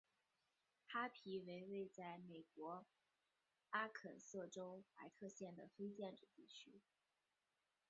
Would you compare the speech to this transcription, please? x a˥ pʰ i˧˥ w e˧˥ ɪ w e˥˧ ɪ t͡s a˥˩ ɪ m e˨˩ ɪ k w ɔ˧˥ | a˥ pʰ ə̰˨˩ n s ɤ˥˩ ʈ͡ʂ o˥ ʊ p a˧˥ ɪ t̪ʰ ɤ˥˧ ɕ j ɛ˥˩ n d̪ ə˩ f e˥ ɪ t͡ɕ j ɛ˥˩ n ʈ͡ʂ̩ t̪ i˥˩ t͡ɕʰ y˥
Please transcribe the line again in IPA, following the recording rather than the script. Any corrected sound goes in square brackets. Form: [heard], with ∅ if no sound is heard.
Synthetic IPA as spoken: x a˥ pʰ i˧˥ w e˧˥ ɪ w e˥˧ ɪ t͡s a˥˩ ɪ m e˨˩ ɪ k w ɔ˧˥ | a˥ [kʰ] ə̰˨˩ n s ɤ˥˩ ʈ͡ʂ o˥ ʊ p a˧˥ ɪ t̪ʰ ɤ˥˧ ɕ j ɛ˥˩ n d̪ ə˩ f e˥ ɪ t͡ɕ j ɛ˥˩ n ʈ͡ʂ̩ t̪ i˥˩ t͡ɕʰ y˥

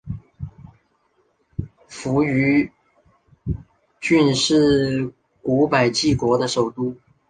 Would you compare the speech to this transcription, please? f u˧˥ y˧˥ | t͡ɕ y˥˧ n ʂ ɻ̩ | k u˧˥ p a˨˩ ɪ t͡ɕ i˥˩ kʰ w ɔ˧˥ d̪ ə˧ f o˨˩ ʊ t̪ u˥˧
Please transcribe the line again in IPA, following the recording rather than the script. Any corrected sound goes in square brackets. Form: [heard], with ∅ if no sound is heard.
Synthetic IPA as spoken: f u˧˥ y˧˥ | t͡ɕ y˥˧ n ʂ ɻ̩ | k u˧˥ p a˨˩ ɪ t͡ɕ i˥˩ [k] w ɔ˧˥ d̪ ə˧ [ʂ] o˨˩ ʊ t̪ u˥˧

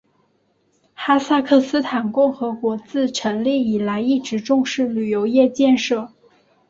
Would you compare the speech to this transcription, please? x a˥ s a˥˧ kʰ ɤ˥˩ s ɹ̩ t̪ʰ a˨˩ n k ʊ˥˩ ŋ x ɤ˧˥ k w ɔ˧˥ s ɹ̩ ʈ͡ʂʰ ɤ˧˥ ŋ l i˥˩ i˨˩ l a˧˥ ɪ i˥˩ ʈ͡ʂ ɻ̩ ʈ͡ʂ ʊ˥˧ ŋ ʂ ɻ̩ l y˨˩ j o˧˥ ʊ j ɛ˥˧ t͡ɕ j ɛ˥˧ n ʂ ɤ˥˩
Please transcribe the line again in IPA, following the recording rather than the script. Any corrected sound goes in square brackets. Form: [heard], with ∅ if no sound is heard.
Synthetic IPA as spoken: x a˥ s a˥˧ kʰ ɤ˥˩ s ɹ̩ t̪ʰ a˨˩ n k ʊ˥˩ ŋ x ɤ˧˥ k w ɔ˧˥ [t͡s] ɹ̩ ʈ͡ʂʰ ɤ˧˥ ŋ l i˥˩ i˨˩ l a˧˥ ɪ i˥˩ ʈ͡ʂ ɻ̩ ʈ͡ʂ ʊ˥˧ ŋ ʂ ɻ̩ l y˨˩ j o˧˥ ʊ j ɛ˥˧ t͡ɕ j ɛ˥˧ n ʂ ɤ˥˩

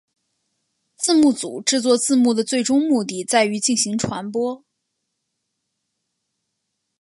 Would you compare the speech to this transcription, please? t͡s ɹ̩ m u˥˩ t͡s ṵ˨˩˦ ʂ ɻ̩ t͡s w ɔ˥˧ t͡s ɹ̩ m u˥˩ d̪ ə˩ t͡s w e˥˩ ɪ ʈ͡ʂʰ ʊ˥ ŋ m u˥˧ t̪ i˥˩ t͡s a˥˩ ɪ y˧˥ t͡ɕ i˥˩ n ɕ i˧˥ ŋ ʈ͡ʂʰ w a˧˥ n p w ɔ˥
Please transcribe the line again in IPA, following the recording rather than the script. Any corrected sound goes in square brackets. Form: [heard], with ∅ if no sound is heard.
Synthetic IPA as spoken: t͡s ɹ̩ m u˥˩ t͡s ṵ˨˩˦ [ʈ͡ʂ] ɻ̩ t͡s w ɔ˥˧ t͡s ɹ̩ m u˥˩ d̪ ə˩ t͡s w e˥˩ ɪ [ʈ͡ʂ] ʊ˥ ŋ m u˥˧ t̪ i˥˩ t͡s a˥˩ ɪ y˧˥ t͡ɕ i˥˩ n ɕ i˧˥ ŋ ʈ͡ʂʰ w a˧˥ n p w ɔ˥

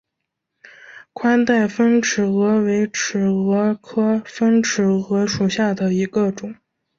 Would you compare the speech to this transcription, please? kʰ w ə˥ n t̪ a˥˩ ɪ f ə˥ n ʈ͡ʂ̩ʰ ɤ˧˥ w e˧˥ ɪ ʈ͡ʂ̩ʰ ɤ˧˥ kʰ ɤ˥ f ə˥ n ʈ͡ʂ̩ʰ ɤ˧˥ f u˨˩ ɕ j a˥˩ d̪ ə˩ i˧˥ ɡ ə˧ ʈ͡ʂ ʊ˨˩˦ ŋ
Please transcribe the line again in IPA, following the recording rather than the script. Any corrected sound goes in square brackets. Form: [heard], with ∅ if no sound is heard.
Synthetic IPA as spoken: kʰ w [a˥] n t̪ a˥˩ ɪ f ə˥ n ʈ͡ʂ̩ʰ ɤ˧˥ w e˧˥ ɪ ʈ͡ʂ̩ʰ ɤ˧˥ kʰ ɤ˥ f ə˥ n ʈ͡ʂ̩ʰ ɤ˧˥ [ʂ] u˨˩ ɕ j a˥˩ d̪ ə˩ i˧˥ ɡ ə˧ ʈ͡ʂ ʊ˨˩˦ ŋ

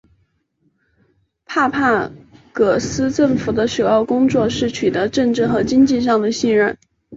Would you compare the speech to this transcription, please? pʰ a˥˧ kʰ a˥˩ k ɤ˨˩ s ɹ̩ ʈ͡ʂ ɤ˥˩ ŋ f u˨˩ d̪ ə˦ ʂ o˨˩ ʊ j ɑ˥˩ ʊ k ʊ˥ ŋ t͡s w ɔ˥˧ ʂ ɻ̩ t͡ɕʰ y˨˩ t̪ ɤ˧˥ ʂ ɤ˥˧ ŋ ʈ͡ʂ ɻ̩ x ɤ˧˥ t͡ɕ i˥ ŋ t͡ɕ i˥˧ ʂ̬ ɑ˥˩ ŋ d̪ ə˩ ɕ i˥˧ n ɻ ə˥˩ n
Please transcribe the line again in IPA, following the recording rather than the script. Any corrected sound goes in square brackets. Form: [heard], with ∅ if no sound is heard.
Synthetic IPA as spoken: pʰ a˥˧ [pʰ] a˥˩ k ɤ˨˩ s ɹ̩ ʈ͡ʂ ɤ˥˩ ŋ f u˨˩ d̪ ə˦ ʂ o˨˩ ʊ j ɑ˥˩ ʊ k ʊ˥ ŋ t͡s w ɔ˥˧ ʂ ɻ̩ t͡ɕʰ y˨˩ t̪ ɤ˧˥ [ʈ͡ʂ] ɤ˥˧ ŋ ʈ͡ʂ ɻ̩ x ɤ˧˥ t͡ɕ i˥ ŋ t͡ɕ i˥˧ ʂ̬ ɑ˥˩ ŋ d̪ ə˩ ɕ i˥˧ n ɻ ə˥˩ n

